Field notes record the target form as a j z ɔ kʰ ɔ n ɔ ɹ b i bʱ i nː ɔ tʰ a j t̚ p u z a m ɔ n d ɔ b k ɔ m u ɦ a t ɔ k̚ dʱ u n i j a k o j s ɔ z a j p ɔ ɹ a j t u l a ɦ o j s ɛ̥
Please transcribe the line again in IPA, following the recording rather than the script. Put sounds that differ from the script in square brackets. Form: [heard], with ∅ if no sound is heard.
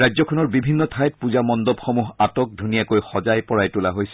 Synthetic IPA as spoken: a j z ɔ kʰ ɔ n ɔ ɹ b i bʱ i nː ɔ tʰ a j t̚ p u z a m ɔ n d ɔ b [x] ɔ m u ɦ a t ɔ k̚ dʱ u n i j a k o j [x] ɔ z a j p ɔ ɹ a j t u l a ɦ o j s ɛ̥